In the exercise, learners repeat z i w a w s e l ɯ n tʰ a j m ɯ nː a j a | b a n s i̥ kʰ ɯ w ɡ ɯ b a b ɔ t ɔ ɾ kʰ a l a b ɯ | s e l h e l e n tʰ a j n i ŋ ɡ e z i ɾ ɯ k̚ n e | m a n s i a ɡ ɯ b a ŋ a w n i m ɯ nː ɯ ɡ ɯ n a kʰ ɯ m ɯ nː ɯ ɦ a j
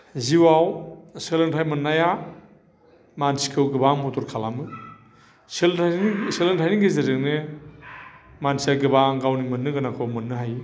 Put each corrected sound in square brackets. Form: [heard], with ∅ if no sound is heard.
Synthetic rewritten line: z i w a w s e l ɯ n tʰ a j m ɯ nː a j a | [m] a n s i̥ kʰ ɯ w ɡ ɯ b a [m] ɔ t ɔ ɾ kʰ a l a [m] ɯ | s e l [s] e l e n tʰ a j n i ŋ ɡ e z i ɾ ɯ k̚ n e | m a n s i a ɡ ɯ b a [ɡ] a w n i m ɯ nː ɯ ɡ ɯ n a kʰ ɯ m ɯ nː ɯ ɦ a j